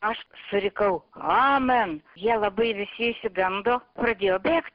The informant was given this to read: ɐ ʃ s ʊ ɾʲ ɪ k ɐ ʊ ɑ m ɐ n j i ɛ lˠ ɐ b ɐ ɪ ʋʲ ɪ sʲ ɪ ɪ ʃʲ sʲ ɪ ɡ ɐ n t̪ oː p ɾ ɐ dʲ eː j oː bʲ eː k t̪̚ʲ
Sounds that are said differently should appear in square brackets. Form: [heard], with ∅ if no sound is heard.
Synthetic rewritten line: ɐ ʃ s ʊ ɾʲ ɪ k ɐ ʊ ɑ m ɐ n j i ɛ lˠ ɐ b ɐ ɪ ʋʲ ɪ sʲ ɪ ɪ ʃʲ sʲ ɪ ɡ ɐ n [d̪] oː p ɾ ɐ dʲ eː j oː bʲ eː k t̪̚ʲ